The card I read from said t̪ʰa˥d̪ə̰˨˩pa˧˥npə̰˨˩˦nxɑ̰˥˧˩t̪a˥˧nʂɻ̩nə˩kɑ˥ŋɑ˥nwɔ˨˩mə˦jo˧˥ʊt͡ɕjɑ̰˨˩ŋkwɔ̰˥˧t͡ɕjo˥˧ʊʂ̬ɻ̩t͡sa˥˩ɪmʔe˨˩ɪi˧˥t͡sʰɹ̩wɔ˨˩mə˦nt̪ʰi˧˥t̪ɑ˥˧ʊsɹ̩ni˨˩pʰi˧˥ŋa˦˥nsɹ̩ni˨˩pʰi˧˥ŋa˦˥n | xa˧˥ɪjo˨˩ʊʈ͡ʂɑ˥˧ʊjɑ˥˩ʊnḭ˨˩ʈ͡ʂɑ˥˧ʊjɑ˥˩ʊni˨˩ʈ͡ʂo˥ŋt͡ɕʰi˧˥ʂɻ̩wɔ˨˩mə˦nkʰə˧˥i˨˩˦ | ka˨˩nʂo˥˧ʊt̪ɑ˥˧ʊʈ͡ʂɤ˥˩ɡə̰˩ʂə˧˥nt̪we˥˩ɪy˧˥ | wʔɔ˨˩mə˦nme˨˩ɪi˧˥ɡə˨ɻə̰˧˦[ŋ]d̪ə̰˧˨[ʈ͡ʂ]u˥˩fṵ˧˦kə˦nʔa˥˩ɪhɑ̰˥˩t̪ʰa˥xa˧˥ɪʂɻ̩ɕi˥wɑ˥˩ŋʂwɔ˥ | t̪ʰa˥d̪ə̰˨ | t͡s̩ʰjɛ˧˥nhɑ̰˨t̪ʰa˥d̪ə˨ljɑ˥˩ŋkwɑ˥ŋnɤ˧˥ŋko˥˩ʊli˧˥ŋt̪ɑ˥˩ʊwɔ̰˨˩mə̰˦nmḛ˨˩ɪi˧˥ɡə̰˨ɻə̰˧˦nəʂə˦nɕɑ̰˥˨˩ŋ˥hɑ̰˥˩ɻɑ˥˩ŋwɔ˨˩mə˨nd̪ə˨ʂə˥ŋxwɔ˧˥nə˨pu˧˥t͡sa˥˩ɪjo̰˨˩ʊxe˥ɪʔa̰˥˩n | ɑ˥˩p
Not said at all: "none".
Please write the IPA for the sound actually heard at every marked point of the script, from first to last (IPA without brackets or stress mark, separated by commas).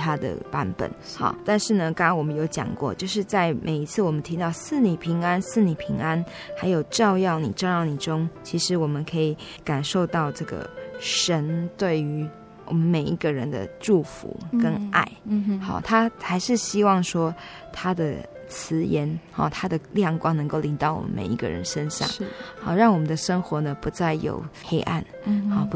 n, ʈ͡ʂ